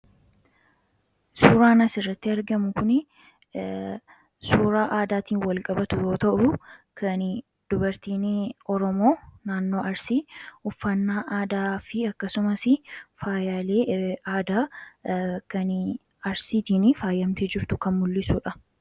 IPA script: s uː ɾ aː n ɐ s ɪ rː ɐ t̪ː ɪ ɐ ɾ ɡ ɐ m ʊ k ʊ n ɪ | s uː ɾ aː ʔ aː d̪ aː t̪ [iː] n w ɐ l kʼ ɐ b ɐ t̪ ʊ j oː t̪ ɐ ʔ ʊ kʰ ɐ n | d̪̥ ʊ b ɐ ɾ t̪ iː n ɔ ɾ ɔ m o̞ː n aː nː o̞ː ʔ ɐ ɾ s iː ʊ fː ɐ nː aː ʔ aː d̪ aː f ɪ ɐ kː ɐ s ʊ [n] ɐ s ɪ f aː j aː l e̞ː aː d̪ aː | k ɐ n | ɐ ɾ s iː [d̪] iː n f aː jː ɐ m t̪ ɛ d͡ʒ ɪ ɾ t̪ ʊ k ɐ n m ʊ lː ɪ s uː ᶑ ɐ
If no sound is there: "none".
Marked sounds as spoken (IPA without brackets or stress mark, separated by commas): iː, m, t̪